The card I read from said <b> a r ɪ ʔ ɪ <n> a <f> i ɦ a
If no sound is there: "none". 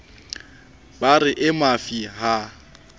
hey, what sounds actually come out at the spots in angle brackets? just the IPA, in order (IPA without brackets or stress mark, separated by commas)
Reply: b, m, f